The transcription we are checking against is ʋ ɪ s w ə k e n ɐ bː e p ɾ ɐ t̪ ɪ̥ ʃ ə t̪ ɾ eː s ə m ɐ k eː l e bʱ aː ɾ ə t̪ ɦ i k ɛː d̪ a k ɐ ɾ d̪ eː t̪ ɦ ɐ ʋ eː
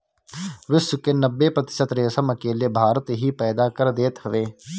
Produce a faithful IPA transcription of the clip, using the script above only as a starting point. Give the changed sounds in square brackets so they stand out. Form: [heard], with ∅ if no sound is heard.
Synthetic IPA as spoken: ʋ ɪ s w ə k e n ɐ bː e p ɾ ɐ t̪ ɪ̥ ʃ ə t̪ ɾ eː s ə m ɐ k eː l e bʱ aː ɾ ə t̪ ɦ i [p] ɛː d̪ a k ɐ ɾ d̪ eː t̪ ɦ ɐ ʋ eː

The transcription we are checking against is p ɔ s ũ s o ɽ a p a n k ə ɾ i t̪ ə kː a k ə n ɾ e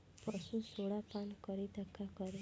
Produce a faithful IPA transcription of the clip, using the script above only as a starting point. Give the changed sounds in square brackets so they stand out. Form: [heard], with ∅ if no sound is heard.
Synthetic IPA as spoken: p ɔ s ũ s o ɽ a p a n k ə ɾ i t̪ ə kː a k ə [∅] ɾ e

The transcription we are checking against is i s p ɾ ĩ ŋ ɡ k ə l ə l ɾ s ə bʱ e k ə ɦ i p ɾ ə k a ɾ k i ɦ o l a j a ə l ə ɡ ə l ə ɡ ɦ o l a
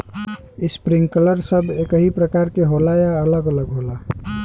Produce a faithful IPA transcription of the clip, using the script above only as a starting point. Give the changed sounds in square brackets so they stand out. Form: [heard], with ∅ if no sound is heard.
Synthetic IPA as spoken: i s p ɾ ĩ ŋ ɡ k ə l ə [∅] ɾ s ə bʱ e k ə ɦ i p ɾ ə k a ɾ k [e] ɦ o l a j a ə l ə ɡ ə l ə ɡ ɦ o l a

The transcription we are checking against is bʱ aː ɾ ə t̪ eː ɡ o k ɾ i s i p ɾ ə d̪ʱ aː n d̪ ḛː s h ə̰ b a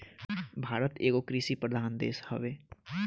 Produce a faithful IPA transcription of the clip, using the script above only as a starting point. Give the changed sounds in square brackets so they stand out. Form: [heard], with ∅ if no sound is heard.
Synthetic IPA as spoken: bʱ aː ɾ ə t̪ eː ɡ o k ɾ i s i p ɾ ə d̪ʱ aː n d̪ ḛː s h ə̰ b [e]

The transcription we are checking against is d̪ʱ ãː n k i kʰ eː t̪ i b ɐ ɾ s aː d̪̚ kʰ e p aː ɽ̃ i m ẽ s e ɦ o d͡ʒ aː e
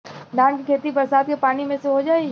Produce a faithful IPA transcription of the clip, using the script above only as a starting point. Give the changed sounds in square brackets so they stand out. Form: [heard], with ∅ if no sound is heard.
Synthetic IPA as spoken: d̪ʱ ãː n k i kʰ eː t̪ i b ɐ ɾ s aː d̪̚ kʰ e p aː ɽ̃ i m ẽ s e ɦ o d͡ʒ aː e

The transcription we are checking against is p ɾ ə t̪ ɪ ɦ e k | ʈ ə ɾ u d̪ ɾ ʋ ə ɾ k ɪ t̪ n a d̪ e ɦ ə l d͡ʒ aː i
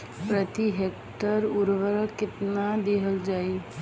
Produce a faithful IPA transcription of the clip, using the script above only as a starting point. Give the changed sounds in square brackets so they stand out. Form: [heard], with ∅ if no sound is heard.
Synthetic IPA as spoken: p ɾ ə t̪ [i] ɦ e k | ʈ ə ɾ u [∅] ɾ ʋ ə ɾ k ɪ t̪ n a d̪ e ɦ ə l d͡ʒ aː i

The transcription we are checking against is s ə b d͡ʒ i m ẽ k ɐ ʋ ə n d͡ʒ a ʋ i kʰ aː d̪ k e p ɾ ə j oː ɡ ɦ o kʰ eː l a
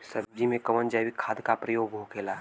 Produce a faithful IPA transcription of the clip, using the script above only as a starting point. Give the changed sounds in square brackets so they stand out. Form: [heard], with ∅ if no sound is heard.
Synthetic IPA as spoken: s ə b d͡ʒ i m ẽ k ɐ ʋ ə n d͡ʒ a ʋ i kʰ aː d̪ k [a] p ɾ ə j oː ɡ ɦ o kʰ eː l a

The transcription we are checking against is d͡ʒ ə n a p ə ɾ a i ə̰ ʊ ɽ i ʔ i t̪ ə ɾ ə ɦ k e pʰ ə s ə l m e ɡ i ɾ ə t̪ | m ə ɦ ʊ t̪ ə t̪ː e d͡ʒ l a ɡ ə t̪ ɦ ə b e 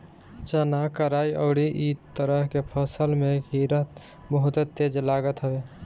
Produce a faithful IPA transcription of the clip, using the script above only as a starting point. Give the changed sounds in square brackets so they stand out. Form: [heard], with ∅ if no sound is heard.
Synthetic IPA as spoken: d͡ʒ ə n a [k] ə ɾ a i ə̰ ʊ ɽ i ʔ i t̪ ə ɾ ə ɦ k e pʰ ə s ə l m e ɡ i ɾ ə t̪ | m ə ɦ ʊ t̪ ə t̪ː e d͡ʒ l a ɡ ə t̪ ɦ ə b e

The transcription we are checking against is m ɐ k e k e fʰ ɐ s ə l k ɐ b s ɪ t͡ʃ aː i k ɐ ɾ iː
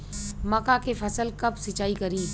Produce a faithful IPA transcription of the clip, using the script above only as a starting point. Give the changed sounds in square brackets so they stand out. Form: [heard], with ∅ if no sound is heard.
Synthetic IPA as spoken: m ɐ k [a] k e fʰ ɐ s ə l k ɐ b s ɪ t͡ʃ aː i k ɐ ɾ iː

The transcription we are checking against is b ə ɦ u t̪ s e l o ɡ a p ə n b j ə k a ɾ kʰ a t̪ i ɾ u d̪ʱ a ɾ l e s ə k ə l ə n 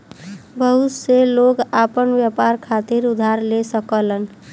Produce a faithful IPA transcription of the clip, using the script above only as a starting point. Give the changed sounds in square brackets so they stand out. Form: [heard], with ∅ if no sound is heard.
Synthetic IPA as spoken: b ə ɦ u t̪ s e l o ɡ a p ə n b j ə [p] a ɾ kʰ a t̪ i ɾ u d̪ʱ a ɾ l e s ə k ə l ə n

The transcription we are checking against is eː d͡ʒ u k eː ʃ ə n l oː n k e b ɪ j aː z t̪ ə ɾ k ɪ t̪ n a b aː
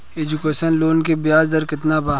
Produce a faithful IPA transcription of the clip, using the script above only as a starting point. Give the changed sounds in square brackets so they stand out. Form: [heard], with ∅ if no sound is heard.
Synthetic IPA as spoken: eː d͡ʒ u k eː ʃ ə n l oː n k e b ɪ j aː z [d̪] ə ɾ k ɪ t̪ n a b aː

